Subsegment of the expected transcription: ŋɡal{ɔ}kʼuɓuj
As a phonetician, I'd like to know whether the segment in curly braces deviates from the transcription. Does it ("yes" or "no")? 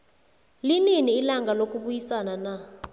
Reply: yes